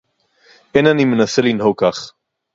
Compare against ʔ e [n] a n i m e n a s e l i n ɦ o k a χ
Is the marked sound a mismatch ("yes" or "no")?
no